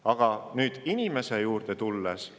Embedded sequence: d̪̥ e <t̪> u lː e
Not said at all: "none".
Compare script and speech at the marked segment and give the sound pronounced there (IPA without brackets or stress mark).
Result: t̪